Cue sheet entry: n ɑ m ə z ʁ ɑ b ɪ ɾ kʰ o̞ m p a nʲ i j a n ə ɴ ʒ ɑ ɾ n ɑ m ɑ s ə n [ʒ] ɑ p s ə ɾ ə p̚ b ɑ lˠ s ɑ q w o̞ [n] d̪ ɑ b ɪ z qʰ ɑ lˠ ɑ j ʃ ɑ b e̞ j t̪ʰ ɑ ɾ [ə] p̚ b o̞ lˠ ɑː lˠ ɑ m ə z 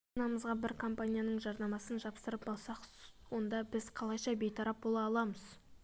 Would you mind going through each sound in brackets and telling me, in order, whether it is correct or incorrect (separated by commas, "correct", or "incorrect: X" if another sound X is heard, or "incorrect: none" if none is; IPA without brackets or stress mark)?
correct, correct, incorrect: ɑ